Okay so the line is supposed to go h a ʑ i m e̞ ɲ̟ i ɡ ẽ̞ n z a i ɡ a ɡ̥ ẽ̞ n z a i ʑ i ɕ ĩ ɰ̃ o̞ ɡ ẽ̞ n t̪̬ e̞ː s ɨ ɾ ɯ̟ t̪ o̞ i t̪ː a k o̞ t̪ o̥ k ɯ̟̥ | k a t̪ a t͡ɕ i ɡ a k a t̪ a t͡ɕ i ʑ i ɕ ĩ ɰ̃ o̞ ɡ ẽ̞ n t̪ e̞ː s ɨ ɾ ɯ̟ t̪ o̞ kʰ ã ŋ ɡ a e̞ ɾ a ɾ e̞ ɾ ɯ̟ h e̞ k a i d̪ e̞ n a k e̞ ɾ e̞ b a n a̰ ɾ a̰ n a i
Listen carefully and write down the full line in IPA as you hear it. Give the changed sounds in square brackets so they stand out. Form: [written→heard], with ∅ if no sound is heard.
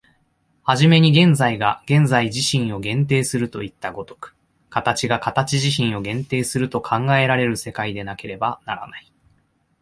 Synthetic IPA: h a ʑ i m e̞ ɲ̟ i ɡ ẽ̞ n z a i ɡ a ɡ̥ ẽ̞ n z a i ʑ i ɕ ĩ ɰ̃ o̞ ɡ ẽ̞ n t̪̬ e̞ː s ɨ ɾ ɯ̟ t̪ o̞ i t̪ː a [k→ɡ] o̞ t̪ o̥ k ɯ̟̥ | k a t̪ a t͡ɕ i ɡ a k a t̪ a t͡ɕ i ʑ i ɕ ĩ ɰ̃ o̞ ɡ ẽ̞ n t̪ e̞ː s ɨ ɾ ɯ̟ t̪ o̞ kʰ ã ŋ ɡ a e̞ ɾ a ɾ e̞ ɾ ɯ̟ [h→s] e̞ k a i d̪ e̞ n a k e̞ ɾ e̞ b a n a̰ ɾ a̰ n a i